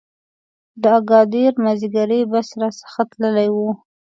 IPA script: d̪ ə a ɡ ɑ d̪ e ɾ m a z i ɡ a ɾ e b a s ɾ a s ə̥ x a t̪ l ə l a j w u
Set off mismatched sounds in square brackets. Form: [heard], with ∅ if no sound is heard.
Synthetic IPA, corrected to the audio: d̪ ə a ɡ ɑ d̪ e ɾ m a z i ɡ a ɾ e b a s ɾ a s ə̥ x a t̪ l ə l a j w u